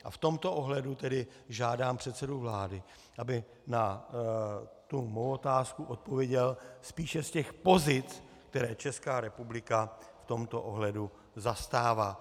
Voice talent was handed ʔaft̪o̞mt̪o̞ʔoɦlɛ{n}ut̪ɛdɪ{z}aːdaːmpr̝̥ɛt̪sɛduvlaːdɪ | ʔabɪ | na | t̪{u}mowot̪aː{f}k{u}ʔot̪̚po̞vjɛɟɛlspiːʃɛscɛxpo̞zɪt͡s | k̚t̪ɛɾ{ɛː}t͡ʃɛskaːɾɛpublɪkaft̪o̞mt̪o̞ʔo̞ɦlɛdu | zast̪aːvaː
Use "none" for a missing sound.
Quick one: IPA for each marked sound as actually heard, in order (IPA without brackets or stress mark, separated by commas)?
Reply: d, ʒ, u, s, u, ɛː